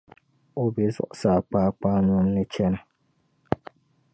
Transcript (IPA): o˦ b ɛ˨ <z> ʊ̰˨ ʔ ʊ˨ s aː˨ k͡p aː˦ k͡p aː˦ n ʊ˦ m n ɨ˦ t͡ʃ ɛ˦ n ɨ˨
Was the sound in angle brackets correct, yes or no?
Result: yes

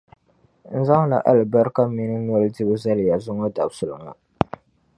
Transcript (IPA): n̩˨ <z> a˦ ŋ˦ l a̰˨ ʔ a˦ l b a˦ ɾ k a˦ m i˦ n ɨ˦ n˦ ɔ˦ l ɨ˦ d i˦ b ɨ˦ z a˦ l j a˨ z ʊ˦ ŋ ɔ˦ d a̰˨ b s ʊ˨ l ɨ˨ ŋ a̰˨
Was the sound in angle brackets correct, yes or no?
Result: yes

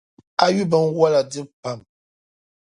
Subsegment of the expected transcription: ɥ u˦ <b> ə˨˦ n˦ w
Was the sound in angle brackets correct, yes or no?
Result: yes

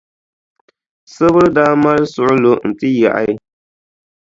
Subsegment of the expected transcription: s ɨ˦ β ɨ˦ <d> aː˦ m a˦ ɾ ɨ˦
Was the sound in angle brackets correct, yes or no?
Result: yes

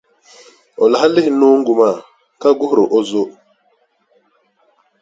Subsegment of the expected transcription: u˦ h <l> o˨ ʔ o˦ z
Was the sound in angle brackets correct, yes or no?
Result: no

